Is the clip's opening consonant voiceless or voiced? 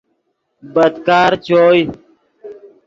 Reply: voiced